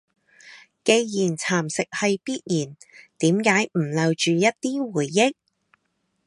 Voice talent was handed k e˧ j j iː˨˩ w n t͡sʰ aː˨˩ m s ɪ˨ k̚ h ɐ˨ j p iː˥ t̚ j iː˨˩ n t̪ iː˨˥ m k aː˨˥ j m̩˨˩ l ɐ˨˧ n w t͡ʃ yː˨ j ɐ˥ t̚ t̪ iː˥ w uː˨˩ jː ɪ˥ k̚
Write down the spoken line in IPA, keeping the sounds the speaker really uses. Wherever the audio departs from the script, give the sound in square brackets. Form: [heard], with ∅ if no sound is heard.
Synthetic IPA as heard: k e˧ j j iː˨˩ [∅] n t͡sʰ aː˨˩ m s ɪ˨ k̚ h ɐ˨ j p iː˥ t̚ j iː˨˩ n t̪ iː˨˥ m k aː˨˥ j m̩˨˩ l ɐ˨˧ [∅] w t͡ʃ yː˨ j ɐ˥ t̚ t̪ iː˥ w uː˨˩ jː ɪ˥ k̚